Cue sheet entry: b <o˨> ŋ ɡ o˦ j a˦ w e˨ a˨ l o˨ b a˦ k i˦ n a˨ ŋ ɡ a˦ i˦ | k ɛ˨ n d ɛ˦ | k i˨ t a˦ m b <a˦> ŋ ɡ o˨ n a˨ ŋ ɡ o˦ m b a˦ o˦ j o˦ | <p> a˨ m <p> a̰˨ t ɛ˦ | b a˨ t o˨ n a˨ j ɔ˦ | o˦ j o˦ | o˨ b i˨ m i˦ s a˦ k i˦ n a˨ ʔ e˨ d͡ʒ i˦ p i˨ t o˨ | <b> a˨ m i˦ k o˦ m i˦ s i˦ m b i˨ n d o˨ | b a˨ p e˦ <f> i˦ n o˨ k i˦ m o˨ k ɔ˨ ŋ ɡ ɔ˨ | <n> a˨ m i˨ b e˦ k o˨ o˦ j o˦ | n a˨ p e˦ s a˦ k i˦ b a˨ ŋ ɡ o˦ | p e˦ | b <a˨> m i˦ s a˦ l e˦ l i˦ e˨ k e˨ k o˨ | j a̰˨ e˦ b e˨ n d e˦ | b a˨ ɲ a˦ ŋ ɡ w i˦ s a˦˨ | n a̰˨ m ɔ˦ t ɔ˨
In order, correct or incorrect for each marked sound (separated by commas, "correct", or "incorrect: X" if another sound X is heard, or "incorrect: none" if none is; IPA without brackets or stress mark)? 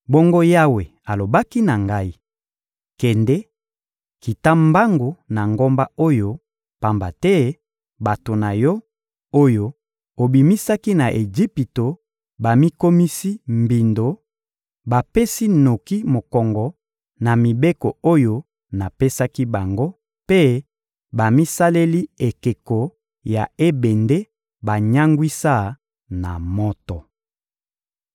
incorrect: o˦, correct, correct, incorrect: b, correct, incorrect: s, correct, correct